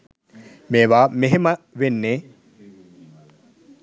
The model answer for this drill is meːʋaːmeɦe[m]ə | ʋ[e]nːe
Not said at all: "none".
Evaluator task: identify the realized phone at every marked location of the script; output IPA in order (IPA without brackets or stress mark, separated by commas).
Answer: m, e